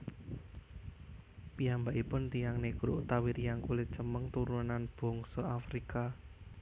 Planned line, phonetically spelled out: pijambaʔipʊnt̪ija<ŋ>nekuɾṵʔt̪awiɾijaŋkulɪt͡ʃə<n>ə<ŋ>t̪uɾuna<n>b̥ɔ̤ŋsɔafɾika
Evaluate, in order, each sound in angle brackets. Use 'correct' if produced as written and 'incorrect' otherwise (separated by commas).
correct, incorrect, correct, correct